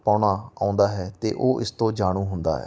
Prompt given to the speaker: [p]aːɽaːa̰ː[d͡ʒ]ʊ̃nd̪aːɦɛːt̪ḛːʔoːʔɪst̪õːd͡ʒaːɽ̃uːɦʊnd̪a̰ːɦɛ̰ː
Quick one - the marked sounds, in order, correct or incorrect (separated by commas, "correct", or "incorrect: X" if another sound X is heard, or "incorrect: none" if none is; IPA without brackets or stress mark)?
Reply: correct, incorrect: none